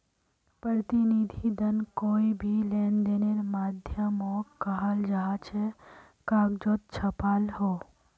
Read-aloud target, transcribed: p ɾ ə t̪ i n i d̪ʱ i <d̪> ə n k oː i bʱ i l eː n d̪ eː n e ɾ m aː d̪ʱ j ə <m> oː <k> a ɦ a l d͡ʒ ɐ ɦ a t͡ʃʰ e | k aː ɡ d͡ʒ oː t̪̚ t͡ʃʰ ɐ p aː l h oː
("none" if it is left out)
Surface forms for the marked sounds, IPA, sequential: d̪, m, k

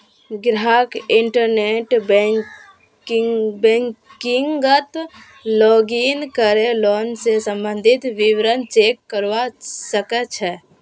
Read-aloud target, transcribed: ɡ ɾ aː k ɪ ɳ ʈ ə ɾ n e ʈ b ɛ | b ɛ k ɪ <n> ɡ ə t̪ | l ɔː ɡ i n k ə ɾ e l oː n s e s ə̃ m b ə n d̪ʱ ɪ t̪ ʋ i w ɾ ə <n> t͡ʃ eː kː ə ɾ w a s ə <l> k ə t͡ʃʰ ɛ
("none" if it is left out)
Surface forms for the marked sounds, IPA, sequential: ŋ, n, none

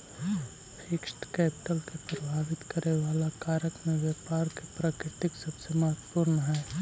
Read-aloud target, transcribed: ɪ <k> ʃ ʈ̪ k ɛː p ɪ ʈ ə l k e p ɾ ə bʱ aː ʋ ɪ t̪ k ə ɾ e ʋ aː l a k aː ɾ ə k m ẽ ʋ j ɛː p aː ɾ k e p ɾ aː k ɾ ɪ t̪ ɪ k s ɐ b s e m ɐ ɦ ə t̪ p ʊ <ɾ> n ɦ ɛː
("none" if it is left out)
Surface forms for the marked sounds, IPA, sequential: k, ɾ

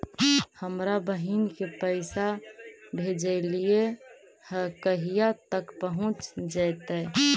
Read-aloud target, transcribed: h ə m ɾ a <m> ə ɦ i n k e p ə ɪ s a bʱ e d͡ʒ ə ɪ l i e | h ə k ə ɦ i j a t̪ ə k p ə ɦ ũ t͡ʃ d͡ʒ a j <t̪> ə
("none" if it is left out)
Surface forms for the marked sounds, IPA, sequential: b, t̪

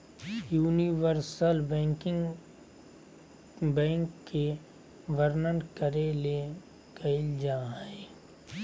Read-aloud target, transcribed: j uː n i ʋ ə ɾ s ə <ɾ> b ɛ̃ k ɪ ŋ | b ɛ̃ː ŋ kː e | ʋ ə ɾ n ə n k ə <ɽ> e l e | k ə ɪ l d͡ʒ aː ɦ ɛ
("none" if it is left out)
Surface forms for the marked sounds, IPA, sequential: l, ɾ

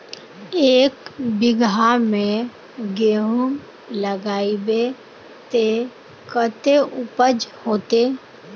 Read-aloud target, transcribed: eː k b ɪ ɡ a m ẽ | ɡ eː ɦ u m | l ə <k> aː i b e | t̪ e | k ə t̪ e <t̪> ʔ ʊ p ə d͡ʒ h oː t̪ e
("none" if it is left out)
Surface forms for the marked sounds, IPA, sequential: ɡ, none

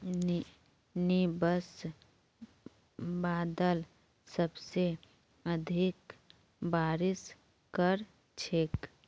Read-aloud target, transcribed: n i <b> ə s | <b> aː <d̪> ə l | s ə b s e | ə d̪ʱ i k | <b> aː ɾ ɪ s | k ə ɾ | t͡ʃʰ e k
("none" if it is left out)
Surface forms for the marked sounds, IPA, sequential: b, b, d̪, b

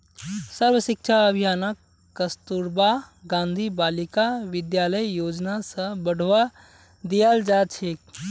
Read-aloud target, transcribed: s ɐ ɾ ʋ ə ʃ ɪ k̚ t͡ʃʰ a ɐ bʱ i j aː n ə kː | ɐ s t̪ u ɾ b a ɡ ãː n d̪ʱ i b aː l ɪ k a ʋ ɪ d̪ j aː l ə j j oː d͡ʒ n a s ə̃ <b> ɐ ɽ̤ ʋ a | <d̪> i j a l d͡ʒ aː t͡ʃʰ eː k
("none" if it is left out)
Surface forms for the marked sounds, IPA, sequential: b, d̪

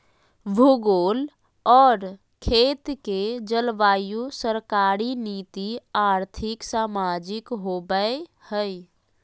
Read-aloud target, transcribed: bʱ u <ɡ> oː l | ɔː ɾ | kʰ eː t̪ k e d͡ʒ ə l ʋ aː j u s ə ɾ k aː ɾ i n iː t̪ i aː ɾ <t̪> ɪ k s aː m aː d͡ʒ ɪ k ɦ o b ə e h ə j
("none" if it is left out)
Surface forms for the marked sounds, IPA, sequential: ɡ, t̪ʰ

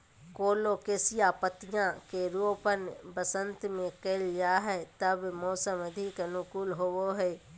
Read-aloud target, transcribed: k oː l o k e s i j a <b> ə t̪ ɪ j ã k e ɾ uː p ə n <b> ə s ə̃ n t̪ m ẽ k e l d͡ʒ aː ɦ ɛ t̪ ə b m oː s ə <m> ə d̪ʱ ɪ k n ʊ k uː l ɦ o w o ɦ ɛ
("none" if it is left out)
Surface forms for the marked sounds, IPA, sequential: p, b, m

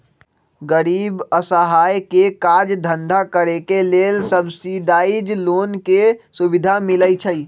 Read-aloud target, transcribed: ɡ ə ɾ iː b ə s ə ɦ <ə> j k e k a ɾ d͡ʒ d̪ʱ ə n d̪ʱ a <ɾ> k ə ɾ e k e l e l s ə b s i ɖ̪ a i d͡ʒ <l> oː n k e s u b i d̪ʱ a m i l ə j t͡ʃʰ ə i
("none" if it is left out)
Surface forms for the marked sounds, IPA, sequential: a, none, l

